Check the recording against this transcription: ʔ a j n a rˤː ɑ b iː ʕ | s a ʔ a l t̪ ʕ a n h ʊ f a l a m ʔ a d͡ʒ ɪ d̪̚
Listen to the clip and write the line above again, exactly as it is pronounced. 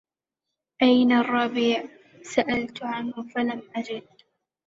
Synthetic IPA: ʔ a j n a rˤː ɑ b iː ʕ | s a ʔ a l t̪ ʕ a n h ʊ f a l a m ʔ a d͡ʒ ɪ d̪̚